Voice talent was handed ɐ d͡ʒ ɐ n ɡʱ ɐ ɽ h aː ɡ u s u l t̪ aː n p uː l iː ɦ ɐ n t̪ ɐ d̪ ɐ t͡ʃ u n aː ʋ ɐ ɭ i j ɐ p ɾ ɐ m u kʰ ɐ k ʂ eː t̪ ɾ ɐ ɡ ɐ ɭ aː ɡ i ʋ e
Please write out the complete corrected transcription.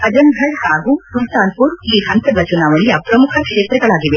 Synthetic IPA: ɐ d͡ʒ ɐ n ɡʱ ɐ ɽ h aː ɡ u s u l t̪ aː n p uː ɾ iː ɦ ɐ n t̪ ɐ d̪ ɐ t͡ʃ u n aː ʋ ɐ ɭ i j ɐ p ɾ ɐ m u kʰ ɐ k ʂ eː t̪ ɾ ɐ ɡ ɐ ɭ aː ɡ i ʋ e

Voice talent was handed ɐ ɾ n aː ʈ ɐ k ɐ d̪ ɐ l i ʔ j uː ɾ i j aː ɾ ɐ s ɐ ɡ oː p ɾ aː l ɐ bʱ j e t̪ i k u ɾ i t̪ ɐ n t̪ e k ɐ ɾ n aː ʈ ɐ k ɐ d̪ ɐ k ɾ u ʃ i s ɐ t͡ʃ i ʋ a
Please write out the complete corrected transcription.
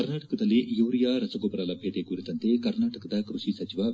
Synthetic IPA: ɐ ɾ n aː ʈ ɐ k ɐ d̪ ɐ l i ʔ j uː ɾ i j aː ɾ ɐ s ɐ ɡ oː p ɾ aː l ɐ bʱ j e t̪ e k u ɾ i t̪ ɐ n t̪ e k ɐ ɾ n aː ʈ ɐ k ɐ d̪ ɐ k ɾ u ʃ i s ɐ t͡ʃ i ʋ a

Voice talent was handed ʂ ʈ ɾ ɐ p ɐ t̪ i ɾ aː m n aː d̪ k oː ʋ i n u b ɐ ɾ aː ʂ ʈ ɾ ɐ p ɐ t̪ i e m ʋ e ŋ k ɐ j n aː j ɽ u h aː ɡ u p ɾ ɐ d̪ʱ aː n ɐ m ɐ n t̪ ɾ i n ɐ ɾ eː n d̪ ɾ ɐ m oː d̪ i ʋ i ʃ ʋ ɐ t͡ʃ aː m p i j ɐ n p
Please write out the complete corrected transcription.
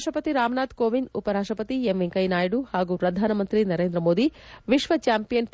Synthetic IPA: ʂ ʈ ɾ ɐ p ɐ t̪ i ɾ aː m n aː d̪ k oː ʋ i n u p ɐ ɾ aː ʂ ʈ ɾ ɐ p ɐ t̪ i e m ʋ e ŋ k ɐ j n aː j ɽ u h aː ɡ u p ɾ ɐ d̪ʱ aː n ɐ m ɐ n t̪ ɾ i n ɐ ɾ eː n d̪ ɾ ɐ m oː d̪ i ʋ i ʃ ʋ ɐ t͡ʃ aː m p i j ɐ n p

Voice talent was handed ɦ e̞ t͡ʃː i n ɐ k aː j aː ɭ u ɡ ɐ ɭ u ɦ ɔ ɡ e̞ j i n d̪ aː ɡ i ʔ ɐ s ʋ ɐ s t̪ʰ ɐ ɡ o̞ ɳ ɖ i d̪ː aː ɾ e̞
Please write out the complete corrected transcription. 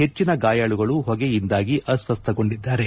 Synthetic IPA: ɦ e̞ t͡ʃː i n ɐ ɡ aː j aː ɭ u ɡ ɐ ɭ u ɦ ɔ ɡ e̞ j i n d̪ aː ɡ i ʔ ɐ s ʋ ɐ s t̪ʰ ɐ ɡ o̞ ɳ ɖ i d̪ː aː ɾ e̞

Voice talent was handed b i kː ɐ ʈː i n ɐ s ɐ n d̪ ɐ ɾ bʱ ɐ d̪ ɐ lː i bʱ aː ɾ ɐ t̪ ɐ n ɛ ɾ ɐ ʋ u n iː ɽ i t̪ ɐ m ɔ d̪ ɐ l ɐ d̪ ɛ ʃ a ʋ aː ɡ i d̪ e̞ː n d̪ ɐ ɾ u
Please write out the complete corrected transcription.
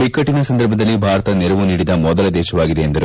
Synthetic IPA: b i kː ɐ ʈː i n ɐ s ɐ n d̪ ɐ ɾ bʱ ɐ d̪ ɐ lː i bʱ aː ɾ ɐ t̪ ɐ n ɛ ɾ ɐ ʋ u n iː ɽ i d̪ ɐ m ɔ d̪ ɐ l ɐ d̪ ɛː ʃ ɐ ʋ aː ɡ i d̪ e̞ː n d̪ ɐ ɾ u

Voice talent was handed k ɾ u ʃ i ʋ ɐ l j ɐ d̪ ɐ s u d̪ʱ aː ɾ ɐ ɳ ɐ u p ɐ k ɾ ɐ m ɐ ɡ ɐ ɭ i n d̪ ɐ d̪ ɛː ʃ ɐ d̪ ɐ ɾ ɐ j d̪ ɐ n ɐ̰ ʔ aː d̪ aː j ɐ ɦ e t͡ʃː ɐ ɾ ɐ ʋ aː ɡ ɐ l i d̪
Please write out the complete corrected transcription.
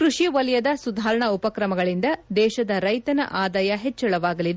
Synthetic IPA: k ɾ u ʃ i ʋ ɐ l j ɐ d̪ ɐ s u d̪ʱ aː ɾ ɐ ɳ ɐ u p ɐ k ɾ ɐ m ɐ ɡ ɐ ɭ i n d̪ ɐ d̪ ɛː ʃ ɐ d̪ ɐ ɾ ɐ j t̪ ɐ n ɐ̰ ʔ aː d̪ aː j ɐ ɦ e t͡ʃː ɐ ɭ ɐ ʋ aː ɡ ɐ l i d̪

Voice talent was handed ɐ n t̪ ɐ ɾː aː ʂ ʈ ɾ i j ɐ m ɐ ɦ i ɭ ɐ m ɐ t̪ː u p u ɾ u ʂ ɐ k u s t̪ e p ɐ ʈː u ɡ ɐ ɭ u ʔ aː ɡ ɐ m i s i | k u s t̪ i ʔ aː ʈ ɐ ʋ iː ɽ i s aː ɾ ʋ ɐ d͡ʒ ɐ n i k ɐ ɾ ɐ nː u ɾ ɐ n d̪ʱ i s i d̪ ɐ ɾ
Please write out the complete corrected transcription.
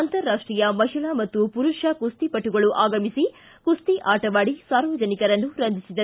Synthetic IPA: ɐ n t̪ ɐ ɾː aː ʂ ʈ ɾ i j ɐ m ɐ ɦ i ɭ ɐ m ɐ t̪ː u p u ɾ u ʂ ɐ k u s t̪ i p ɐ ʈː u ɡ ɐ ɭ u ʔ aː ɡ ɐ m i s i | k u s t̪ i ʔ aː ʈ ɐ ʋ aː ɽ i s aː ɾ ʋ ɐ d͡ʒ ɐ n i k ɐ ɾ ɐ nː u ɾ ɐ n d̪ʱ i s i d̪ ɐ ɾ

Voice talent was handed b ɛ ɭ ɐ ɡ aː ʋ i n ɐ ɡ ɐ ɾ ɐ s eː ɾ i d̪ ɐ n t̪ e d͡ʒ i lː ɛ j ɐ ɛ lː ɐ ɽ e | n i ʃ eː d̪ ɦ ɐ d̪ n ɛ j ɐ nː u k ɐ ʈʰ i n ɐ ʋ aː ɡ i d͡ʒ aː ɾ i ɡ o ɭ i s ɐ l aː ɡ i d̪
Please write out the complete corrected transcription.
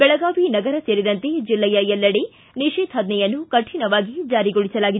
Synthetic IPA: b ɛ ɭ ɐ ɡ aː ʋ i n ɐ ɡ ɐ ɾ ɐ s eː ɾ i d̪ ɐ n t̪ e d͡ʒ i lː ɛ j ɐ ɛ lː ɐ ɽ e | n i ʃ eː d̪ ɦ ɐ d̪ n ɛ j ɐ nː u k ɐ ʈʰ i n ɐ ʋ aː ɡ i d͡ʒ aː ɾ i ɡ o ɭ i s ɐ l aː ɡ i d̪

